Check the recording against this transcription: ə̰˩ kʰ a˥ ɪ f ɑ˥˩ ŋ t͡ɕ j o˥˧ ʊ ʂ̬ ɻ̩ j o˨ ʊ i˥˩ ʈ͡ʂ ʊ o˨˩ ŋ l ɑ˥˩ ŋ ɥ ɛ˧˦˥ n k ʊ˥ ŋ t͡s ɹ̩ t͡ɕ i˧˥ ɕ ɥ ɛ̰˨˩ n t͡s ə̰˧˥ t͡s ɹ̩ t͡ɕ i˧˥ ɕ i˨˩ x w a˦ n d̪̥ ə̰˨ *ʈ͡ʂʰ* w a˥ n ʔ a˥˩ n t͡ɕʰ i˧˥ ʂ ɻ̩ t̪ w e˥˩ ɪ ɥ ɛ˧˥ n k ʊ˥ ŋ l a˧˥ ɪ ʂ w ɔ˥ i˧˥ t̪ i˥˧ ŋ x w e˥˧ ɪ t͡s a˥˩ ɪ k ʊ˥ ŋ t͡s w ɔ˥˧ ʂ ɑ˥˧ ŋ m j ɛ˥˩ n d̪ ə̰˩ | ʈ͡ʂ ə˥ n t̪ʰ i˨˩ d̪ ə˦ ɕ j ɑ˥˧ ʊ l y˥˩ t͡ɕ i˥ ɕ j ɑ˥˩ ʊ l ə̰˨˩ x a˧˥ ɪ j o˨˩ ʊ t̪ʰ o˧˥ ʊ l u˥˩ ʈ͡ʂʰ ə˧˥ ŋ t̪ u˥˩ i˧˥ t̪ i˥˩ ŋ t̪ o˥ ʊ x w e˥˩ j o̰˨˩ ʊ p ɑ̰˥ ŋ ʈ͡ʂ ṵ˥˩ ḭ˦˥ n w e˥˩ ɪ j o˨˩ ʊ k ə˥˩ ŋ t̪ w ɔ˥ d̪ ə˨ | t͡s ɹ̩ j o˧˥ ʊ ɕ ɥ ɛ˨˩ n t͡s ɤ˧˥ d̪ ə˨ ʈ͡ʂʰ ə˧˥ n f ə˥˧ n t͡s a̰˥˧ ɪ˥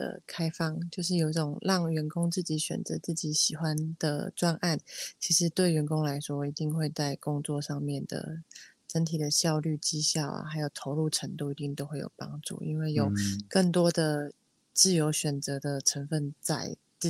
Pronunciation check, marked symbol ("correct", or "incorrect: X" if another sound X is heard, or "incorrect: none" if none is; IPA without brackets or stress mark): incorrect: ʈ͡ʂ